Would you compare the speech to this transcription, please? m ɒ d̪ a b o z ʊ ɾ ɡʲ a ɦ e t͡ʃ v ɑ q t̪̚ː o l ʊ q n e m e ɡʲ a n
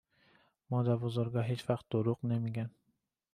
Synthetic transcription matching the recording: m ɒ d̪ a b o z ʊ ɾ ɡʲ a ɦ e t͡ʃ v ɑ q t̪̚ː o ɾ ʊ q n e m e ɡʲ a n